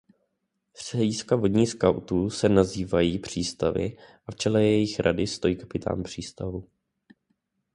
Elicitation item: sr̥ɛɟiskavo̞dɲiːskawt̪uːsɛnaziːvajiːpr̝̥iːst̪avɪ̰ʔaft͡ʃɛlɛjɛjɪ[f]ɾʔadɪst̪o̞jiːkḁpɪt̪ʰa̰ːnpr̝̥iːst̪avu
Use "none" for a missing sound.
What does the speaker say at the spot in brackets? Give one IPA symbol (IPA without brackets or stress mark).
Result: x